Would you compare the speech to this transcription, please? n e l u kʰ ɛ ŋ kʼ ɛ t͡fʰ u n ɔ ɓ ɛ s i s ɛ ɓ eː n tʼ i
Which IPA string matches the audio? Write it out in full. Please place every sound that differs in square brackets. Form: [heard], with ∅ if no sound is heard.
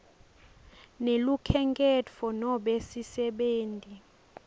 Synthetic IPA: n e l u kʰ ɛ ŋ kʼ ɛ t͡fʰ [ɔ] n ɔ ɓ [e] s i s ɛ ɓ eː n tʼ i